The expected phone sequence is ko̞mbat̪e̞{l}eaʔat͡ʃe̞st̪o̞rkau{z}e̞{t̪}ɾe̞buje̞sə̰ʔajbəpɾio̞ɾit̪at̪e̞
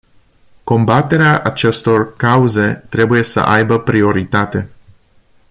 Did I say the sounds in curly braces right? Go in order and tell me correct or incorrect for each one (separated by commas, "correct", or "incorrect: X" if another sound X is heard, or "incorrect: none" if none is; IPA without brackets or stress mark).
incorrect: ɾ, correct, correct